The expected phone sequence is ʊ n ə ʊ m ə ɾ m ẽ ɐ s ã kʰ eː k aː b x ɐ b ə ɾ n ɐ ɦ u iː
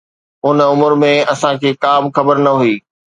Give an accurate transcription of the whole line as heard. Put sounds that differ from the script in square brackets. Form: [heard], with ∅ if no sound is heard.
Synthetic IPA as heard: ʊ n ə ʊ m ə ɾ m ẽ ɐ s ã kʰ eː k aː [m] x ɐ b ə ɾ n ɐ ɦ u iː